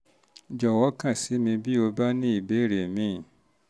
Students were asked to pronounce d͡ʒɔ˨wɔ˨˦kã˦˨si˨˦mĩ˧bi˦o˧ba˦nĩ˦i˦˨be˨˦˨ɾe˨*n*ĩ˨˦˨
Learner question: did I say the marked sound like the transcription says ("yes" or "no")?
no